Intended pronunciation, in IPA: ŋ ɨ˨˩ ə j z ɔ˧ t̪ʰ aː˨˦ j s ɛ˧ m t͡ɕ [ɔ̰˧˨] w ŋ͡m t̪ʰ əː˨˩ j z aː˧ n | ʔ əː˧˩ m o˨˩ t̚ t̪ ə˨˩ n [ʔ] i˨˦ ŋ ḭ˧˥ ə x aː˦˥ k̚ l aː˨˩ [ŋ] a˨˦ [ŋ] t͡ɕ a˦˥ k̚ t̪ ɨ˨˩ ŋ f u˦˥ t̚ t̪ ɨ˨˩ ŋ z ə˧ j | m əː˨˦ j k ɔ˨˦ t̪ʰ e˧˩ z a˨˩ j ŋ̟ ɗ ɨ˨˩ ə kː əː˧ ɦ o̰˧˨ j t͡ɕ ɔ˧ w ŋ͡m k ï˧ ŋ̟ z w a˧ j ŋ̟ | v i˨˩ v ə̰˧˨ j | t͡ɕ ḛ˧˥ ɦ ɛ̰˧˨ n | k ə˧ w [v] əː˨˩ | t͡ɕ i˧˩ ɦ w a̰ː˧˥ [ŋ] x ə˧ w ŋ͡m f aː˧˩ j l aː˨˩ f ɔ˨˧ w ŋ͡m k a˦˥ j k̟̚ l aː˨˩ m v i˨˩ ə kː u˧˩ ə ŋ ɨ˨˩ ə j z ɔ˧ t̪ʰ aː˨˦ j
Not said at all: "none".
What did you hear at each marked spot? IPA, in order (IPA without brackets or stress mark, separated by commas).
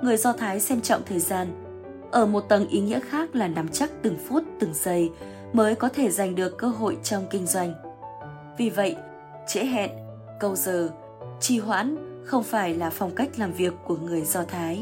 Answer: ɔ̰˧˨, ʔ, n, m, z, n